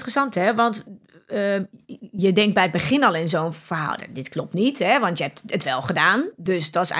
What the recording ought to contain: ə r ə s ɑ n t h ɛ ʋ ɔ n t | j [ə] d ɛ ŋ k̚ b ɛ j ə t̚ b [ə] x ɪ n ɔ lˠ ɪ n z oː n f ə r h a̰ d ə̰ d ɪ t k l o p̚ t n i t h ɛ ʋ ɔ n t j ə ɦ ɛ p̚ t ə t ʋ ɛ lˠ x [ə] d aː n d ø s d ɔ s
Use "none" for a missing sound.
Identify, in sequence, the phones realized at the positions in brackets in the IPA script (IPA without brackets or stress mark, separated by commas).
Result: ə, ə, ə